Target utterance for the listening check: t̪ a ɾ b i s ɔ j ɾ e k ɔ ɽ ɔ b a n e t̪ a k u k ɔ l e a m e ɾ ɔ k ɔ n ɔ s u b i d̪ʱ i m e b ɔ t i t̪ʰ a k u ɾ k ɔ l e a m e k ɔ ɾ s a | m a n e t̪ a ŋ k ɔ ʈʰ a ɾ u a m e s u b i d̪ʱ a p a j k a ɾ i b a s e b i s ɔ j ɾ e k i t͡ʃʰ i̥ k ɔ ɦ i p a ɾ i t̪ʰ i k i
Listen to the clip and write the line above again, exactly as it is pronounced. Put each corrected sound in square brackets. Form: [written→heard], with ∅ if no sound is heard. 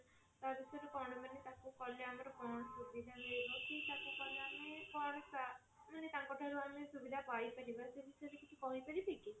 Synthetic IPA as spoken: t̪ a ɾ b i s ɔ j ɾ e k ɔ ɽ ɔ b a n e t̪ a k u k ɔ l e a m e ɾ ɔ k ɔ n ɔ s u b i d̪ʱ [i→a] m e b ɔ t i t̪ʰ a k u [ɾ→∅] k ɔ l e a m e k ɔ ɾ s a | m a n e t̪ a ŋ k ɔ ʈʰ a ɾ u a m e s u b i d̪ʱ a p a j [k→p] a ɾ i b a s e b i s ɔ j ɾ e k i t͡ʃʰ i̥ k ɔ ɦ i p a ɾ i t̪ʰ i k i